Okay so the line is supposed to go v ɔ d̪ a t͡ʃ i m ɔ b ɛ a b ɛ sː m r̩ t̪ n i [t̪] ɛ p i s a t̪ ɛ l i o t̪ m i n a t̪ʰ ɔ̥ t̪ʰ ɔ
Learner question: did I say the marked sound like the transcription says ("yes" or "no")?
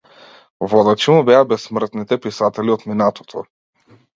yes